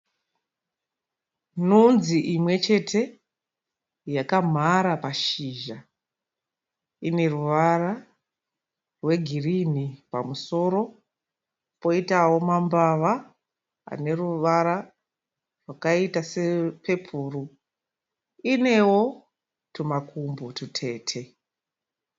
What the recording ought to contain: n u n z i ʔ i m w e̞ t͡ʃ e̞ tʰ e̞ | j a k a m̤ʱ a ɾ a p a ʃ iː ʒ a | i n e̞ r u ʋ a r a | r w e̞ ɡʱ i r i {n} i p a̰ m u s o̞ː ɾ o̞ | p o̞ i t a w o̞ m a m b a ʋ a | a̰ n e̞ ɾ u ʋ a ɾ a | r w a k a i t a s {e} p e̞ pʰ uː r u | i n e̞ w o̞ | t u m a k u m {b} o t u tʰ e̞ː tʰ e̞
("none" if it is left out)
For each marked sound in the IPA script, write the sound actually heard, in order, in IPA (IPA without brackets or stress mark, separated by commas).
n, e, b